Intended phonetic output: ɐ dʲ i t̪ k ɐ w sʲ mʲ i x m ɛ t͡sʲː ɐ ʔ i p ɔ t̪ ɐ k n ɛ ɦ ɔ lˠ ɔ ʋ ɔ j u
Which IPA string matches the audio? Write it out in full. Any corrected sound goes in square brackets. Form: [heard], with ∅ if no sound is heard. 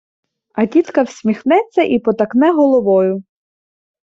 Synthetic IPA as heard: ɐ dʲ i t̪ k ɐ w sʲ mʲ i x [n] ɛ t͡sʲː ɐ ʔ i p ɔ t̪ ɐ k n ɛ ɦ ɔ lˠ ɔ ʋ ɔ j [ʊ]